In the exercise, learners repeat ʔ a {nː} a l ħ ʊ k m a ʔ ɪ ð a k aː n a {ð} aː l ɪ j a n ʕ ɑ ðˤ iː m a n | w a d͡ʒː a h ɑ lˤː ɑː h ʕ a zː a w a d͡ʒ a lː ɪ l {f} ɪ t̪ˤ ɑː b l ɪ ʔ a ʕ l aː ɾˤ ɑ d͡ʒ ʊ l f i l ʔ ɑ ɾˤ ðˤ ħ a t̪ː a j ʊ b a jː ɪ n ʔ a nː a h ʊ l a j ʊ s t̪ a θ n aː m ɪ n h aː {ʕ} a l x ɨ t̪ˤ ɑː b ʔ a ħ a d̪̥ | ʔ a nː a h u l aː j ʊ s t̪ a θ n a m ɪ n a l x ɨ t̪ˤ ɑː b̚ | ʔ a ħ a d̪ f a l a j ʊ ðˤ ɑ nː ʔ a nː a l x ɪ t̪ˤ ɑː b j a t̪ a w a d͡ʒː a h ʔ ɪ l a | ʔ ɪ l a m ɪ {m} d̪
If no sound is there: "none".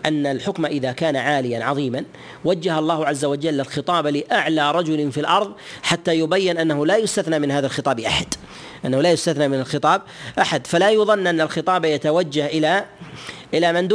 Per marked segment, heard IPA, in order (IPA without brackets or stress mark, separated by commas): nː, ʕ, x, ð, n